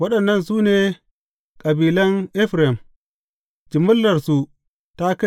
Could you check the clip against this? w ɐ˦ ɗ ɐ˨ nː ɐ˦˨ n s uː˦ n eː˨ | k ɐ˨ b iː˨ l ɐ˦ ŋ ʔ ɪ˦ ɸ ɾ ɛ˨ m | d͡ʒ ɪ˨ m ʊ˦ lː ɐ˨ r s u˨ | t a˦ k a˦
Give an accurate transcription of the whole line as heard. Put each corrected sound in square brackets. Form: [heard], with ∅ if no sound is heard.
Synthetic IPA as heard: w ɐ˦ ɗ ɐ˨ nː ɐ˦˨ n s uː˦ n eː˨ | [kʼ] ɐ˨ b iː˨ l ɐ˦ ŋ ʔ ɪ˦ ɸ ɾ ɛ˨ m | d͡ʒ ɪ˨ m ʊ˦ lː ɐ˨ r s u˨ | t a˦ k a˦